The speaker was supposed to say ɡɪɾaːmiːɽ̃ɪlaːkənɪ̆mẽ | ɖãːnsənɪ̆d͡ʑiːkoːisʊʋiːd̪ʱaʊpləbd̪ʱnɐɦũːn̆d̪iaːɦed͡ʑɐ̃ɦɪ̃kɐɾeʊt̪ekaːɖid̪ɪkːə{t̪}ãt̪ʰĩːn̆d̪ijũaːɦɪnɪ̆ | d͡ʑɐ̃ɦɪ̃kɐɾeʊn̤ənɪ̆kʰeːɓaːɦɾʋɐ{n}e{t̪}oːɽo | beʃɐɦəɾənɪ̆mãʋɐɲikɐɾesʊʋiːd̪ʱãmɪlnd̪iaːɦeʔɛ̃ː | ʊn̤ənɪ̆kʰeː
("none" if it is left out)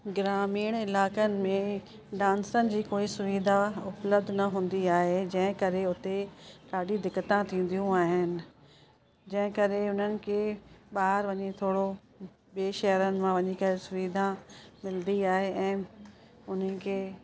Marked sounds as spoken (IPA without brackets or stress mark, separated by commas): t̪, ɲ, t̪ʰ